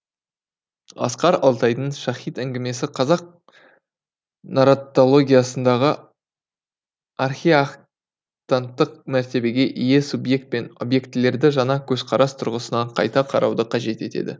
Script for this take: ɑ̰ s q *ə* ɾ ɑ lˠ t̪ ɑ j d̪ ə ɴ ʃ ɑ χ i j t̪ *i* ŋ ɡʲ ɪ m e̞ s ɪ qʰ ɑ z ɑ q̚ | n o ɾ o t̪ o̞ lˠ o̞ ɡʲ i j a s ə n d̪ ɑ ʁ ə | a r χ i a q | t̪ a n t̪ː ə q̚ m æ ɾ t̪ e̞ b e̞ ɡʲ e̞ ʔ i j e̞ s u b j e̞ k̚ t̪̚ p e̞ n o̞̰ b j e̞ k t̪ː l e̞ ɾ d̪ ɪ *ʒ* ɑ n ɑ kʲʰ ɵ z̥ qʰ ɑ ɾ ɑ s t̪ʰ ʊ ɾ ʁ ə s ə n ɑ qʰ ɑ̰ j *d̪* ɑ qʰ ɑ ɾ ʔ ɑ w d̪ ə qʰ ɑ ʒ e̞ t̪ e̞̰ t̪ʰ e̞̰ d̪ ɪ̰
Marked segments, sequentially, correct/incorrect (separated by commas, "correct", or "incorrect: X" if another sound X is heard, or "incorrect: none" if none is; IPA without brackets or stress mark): incorrect: ɑ, incorrect: æ, correct, incorrect: t̪